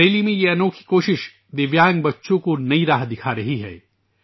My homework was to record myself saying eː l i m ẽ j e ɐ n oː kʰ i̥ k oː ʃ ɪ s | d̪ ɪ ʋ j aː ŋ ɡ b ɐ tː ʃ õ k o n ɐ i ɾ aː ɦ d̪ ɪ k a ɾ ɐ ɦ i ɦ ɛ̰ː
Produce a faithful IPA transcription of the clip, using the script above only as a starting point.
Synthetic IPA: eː l i m ẽ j e ɐ n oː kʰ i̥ k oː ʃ ɪ ʃ | d̪ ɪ ʋ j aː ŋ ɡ b ɐ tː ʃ õ k o n ɐ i ɾ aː ɦ d̪ ɪ kʰ a ɾ ɐ ɦ i ɦ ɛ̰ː

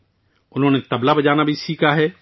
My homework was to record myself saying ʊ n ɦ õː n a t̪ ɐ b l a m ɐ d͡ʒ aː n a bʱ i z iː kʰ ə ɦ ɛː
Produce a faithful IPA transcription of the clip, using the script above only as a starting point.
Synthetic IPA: ʊ n ɦ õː n e t̪ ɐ b l a b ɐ d͡ʒ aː n a bʱ i s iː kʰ a ɦ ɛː

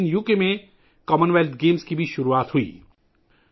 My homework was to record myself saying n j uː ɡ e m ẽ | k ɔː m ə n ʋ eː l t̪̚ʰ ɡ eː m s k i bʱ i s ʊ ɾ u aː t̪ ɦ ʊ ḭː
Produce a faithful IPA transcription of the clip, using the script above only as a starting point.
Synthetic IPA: n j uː k e m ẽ | k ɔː m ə n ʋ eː l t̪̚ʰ ɡ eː m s k i bʱ i ʃ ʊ ɾ u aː t̪ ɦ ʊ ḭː

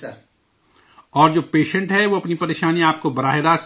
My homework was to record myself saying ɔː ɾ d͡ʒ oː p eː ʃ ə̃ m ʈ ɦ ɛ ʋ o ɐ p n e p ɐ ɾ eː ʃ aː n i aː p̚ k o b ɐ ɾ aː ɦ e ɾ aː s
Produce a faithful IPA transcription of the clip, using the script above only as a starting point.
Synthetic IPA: ɔː ɾ d͡ʒ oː p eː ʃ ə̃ ɳ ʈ ɦ ɛ ʋ o ɐ p n i p ɐ ɾ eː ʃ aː n i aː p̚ k o b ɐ ɾ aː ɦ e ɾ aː s

